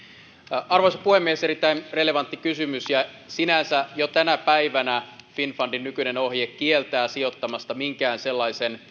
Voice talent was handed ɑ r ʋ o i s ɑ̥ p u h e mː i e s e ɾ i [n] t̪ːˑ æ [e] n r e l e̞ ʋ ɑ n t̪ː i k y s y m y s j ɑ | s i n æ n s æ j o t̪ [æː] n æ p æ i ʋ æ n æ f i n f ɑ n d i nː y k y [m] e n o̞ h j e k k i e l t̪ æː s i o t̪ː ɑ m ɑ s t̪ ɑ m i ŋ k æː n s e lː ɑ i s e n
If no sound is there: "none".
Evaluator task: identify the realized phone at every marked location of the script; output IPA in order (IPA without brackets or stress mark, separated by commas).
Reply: none, i, æ, n